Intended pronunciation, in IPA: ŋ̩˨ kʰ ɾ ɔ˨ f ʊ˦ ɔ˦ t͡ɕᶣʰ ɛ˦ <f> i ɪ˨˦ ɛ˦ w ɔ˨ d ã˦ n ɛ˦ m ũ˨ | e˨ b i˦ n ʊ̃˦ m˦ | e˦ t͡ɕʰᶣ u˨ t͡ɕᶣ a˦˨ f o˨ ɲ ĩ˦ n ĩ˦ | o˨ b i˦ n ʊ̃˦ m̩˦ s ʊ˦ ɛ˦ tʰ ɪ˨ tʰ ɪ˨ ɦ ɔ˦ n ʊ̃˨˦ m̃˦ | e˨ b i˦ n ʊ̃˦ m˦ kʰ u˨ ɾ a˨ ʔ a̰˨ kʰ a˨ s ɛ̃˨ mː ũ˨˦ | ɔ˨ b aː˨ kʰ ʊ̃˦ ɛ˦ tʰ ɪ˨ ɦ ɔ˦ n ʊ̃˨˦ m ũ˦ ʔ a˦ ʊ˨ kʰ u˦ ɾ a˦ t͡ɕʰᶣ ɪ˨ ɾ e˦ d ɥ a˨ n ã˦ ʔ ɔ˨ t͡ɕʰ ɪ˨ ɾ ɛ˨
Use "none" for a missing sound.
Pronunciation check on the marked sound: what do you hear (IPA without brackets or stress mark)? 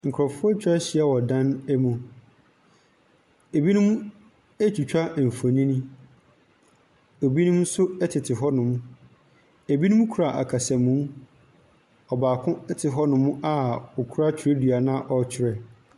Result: ɕ